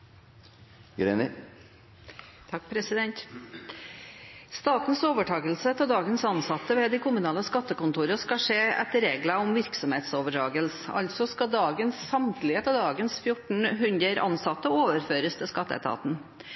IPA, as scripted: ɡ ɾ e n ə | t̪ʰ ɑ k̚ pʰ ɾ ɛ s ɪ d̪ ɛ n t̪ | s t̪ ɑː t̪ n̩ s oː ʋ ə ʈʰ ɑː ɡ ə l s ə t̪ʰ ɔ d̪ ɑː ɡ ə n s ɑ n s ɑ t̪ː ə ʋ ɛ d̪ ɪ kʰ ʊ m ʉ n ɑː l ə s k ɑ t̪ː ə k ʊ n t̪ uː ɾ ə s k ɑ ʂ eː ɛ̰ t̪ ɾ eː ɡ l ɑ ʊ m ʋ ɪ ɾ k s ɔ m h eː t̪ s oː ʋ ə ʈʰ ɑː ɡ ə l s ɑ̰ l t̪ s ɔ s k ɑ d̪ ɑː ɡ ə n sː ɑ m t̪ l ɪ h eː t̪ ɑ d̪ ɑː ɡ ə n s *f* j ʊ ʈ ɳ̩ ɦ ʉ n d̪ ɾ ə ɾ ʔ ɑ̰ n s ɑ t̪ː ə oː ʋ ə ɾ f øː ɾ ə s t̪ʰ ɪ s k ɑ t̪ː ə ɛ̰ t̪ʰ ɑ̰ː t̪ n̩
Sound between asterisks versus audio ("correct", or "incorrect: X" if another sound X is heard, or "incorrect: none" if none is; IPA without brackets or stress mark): correct